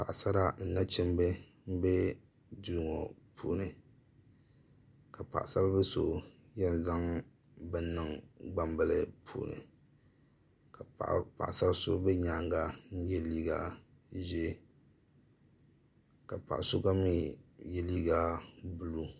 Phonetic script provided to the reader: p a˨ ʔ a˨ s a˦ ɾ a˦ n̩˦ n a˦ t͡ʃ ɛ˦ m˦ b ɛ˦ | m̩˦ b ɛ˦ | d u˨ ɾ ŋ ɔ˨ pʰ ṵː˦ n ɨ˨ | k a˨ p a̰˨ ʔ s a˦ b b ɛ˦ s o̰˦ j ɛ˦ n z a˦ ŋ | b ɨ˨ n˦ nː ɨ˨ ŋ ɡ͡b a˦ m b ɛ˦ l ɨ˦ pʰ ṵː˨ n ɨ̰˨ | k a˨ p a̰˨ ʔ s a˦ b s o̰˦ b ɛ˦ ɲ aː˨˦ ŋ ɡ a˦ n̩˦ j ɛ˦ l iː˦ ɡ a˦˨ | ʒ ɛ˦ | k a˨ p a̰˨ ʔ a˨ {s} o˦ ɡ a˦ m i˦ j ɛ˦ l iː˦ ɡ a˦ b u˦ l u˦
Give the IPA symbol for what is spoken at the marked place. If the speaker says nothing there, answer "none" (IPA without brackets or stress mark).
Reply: s